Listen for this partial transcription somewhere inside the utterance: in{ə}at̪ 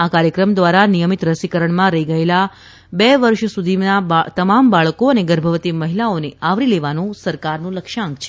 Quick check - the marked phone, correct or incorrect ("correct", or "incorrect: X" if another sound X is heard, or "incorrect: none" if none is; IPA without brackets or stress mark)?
incorrect: a